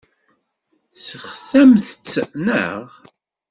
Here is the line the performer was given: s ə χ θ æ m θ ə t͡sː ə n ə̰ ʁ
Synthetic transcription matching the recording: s ə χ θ æ m θ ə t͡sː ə n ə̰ ʁ